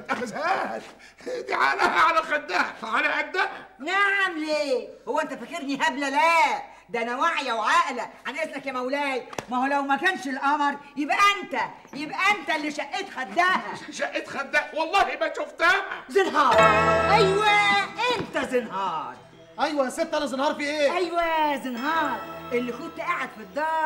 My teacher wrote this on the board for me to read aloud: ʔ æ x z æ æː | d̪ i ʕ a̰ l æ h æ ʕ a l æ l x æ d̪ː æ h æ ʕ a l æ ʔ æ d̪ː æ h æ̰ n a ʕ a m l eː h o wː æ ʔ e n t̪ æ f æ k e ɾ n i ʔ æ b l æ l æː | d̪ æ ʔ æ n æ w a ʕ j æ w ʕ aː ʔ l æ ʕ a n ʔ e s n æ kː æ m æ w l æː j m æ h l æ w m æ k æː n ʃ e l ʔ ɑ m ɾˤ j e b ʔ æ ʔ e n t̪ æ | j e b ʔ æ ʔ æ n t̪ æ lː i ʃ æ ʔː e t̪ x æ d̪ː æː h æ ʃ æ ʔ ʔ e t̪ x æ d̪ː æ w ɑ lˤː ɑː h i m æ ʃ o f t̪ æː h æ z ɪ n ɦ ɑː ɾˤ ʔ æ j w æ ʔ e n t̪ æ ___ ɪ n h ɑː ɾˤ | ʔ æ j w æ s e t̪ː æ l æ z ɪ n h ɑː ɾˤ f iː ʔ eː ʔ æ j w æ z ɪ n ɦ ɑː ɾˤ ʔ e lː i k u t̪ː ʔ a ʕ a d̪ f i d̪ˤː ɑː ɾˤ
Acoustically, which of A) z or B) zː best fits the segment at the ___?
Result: A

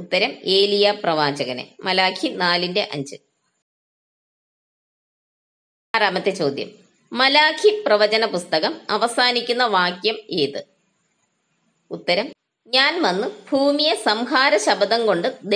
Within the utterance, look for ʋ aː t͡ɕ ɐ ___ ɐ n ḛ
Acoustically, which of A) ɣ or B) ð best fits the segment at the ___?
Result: A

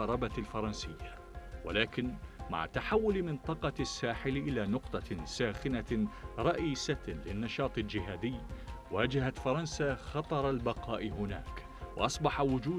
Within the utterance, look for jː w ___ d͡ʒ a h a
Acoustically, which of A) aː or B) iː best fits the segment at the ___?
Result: A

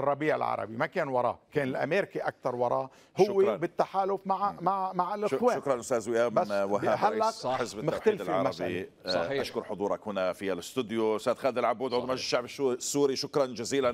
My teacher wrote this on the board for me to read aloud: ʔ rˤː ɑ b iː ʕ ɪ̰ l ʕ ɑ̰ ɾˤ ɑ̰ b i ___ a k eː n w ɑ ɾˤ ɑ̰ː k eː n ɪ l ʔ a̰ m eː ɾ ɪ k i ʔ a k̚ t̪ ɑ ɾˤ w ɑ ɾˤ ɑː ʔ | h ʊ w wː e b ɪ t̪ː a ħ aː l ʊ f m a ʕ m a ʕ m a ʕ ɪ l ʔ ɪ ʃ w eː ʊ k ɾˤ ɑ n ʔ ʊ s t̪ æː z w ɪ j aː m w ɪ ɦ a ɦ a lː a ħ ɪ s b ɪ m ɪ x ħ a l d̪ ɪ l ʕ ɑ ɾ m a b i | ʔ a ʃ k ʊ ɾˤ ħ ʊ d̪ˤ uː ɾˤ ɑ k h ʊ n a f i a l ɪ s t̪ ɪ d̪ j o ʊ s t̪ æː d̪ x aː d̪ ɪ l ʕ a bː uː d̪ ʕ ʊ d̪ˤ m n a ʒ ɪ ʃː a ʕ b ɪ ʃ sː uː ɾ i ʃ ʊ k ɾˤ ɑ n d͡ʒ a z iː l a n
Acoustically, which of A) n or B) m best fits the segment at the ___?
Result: B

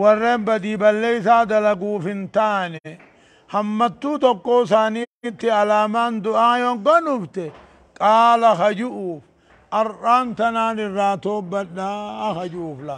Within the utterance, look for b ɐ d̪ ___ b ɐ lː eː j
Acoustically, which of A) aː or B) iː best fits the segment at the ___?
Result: B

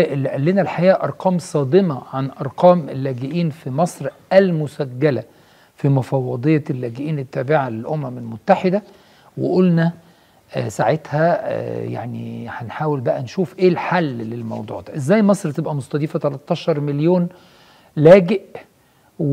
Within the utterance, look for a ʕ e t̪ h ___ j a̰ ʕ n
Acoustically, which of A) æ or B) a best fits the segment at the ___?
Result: A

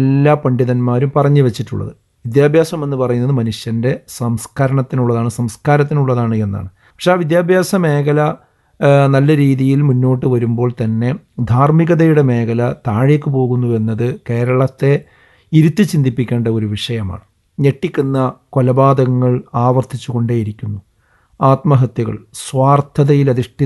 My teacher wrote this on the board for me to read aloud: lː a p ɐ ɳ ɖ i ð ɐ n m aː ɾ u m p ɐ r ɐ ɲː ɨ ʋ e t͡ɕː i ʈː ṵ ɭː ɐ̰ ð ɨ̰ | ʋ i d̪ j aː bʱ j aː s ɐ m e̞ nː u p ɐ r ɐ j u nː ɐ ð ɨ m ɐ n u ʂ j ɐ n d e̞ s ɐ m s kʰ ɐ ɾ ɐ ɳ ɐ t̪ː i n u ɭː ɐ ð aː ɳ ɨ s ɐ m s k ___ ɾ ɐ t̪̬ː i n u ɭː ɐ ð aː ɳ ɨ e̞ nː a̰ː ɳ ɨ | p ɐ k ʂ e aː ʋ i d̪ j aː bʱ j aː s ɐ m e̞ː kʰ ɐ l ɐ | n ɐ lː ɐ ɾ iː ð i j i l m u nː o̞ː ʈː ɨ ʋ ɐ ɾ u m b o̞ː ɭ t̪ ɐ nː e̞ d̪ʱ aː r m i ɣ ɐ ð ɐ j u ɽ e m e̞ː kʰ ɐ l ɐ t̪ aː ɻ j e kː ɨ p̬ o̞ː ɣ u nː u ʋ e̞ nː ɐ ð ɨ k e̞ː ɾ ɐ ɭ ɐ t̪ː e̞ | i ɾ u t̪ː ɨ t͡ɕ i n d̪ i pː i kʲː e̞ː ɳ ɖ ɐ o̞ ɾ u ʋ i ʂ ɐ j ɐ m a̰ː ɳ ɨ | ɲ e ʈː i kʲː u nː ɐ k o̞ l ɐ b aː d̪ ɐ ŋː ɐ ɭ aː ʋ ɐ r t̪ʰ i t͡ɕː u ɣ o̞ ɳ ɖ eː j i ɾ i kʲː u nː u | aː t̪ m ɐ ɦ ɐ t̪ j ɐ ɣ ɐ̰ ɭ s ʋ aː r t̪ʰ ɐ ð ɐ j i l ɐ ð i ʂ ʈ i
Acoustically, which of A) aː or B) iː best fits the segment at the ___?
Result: A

